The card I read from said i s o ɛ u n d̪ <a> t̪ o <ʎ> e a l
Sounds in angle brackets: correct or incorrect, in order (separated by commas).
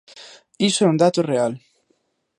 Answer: correct, incorrect